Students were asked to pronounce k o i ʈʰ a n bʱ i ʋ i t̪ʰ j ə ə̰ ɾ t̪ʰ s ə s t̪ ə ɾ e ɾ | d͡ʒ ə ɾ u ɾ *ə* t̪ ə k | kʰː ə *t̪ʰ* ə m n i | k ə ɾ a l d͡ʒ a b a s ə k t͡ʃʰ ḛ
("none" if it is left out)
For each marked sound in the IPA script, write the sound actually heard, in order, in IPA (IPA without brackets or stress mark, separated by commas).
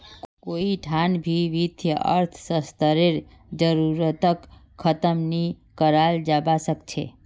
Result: ə, t̪